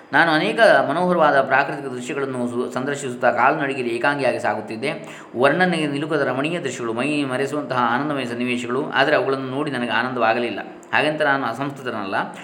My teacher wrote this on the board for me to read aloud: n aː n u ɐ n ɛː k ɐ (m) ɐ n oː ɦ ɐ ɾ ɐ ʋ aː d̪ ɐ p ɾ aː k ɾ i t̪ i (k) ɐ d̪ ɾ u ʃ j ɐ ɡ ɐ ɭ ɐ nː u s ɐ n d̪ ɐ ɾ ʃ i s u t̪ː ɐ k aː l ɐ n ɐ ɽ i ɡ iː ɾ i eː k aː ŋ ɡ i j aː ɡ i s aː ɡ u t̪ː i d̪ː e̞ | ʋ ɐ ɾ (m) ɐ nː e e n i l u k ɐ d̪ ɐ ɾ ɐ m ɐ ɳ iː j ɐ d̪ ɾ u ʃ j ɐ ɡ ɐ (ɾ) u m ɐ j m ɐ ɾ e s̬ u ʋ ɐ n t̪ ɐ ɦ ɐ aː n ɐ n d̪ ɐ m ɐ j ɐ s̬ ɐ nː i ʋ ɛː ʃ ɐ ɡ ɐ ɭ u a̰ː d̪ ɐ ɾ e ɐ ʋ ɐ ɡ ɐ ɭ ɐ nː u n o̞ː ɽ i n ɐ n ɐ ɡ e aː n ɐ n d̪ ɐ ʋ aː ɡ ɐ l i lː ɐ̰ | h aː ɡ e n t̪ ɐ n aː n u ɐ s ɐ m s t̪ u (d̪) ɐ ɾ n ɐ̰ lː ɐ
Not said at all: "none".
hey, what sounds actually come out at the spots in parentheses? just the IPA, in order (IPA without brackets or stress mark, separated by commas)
m, k, ɳ, ɭ, t̪